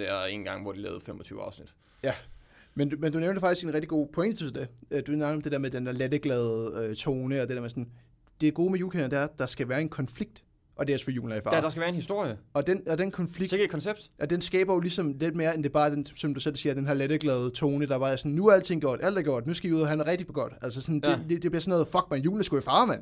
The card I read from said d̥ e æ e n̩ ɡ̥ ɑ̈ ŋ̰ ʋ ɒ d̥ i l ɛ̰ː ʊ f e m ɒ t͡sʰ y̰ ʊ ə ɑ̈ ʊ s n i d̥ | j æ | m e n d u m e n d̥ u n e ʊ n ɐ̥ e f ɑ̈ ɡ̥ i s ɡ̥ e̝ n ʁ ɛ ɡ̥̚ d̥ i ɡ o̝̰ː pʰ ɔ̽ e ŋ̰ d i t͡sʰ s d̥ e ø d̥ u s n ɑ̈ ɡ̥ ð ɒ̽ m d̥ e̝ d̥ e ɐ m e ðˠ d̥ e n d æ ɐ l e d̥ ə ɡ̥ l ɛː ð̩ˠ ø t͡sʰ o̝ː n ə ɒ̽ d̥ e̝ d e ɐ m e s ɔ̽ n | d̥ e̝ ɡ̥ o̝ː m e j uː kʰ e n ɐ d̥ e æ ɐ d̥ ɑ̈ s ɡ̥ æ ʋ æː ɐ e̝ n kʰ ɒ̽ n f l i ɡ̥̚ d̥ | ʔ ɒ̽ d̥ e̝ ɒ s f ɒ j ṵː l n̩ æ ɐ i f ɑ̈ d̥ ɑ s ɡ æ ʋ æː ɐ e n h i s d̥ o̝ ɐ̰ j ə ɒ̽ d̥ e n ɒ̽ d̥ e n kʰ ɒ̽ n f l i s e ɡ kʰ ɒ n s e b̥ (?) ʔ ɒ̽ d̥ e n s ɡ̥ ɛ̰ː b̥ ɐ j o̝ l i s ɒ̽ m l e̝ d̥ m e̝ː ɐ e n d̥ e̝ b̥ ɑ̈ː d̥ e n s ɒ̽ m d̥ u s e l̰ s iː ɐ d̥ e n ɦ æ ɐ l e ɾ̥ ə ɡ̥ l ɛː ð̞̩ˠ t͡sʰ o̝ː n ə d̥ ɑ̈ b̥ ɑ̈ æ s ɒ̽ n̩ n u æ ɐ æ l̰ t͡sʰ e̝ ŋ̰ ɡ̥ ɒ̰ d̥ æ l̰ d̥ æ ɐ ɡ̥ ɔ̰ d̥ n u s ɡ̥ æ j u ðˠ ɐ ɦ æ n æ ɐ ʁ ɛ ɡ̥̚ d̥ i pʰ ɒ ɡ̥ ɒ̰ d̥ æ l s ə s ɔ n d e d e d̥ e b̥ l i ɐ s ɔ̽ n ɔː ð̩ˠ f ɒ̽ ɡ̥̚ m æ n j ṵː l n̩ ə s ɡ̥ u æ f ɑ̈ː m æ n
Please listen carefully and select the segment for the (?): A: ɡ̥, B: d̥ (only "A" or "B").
B